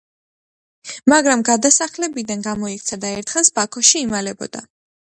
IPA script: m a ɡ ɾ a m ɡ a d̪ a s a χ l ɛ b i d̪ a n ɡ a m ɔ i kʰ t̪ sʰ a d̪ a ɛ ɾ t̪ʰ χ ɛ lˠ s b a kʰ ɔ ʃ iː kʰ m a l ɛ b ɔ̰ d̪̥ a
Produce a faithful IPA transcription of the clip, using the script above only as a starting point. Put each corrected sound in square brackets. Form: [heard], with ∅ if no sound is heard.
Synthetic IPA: m a ɡ ɾ a m ɡ a d̪ a s a χ l ɛ b i d̪ a n ɡ a m ɔ i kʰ t̪ sʰ a d̪ a ɛ ɾ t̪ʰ χ ɛ lˠ s b a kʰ ɔ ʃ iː [∅] m a l ɛ b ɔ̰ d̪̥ a